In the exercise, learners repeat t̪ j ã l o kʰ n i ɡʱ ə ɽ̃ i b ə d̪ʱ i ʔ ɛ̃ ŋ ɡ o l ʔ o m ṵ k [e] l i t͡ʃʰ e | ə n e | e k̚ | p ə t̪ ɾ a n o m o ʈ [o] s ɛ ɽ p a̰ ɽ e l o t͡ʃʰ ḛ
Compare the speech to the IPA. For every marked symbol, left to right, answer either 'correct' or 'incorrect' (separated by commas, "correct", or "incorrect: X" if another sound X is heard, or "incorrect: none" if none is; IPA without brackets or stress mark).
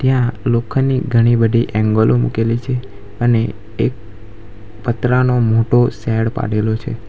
correct, correct